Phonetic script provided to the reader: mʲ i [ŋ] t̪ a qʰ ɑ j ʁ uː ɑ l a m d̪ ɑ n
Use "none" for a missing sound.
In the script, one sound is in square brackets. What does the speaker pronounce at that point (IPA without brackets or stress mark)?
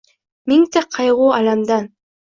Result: ŋ